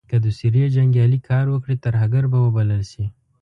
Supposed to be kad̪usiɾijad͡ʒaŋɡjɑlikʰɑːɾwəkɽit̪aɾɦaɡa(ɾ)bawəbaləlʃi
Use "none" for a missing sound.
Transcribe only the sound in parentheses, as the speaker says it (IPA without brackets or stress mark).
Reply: ɾ